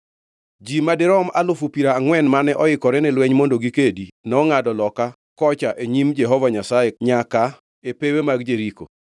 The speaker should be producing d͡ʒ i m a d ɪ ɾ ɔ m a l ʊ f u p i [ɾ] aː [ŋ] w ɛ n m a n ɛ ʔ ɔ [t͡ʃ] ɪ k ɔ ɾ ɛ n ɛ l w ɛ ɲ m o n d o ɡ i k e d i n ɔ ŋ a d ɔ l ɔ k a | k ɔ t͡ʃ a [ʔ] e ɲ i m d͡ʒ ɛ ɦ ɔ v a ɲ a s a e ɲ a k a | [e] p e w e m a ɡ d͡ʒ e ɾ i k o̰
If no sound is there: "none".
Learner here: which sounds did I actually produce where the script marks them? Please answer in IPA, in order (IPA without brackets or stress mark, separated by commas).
ɾ, ŋ, none, ʔ, e